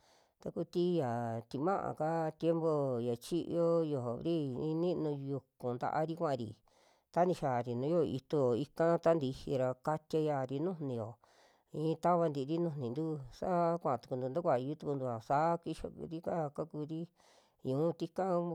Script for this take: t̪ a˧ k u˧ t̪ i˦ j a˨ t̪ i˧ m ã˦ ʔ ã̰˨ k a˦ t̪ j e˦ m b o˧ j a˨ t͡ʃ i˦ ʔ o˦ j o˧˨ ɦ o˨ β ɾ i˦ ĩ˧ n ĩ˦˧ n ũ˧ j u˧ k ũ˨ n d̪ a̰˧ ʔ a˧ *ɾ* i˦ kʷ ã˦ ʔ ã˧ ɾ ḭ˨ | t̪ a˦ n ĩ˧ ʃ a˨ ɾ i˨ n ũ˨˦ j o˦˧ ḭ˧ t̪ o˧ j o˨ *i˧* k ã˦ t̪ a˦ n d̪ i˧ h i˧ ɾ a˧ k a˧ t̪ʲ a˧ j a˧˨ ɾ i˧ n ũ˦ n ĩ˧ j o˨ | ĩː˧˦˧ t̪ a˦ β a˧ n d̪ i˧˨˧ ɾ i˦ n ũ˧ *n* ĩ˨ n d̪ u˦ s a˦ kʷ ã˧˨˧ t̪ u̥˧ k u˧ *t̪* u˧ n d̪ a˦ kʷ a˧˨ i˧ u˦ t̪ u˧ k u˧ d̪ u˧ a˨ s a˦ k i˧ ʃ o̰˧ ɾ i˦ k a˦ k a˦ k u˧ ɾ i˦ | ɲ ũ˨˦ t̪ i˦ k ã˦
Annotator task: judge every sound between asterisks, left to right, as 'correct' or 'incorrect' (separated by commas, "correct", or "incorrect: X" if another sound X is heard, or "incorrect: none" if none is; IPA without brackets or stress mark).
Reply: correct, correct, correct, incorrect: d̪